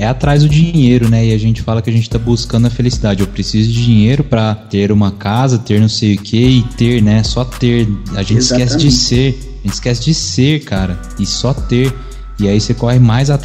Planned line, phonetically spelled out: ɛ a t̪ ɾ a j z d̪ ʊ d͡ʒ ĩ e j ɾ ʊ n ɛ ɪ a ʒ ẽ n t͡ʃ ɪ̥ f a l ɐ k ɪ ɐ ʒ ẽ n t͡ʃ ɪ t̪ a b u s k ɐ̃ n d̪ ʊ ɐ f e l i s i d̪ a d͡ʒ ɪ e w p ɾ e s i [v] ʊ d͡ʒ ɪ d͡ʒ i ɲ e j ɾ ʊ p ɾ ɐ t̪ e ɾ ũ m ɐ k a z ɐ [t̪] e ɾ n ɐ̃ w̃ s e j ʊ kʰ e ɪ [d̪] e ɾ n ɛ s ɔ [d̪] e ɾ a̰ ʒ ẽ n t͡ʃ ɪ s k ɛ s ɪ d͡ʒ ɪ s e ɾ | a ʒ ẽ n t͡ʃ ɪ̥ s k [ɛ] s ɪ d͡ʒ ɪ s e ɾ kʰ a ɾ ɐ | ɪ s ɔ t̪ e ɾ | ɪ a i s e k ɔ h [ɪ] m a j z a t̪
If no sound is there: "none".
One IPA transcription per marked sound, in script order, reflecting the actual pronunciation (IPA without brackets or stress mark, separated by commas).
z, t̪, t̪, t̪, ɛ, ɪ